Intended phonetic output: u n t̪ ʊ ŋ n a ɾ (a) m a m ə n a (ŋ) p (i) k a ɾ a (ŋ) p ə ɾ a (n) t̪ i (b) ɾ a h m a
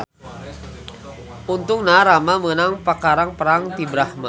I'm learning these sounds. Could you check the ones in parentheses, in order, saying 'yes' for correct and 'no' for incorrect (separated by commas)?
yes, yes, no, yes, no, yes